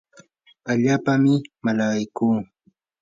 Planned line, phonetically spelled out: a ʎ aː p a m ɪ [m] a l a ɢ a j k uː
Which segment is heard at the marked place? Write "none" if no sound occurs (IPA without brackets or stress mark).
m